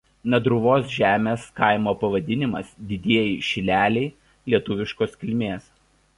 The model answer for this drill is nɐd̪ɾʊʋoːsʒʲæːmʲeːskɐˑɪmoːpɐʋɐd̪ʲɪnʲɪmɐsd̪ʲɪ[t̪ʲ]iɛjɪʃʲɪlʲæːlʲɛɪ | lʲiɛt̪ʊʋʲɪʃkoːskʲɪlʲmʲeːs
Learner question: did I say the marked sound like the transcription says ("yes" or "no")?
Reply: no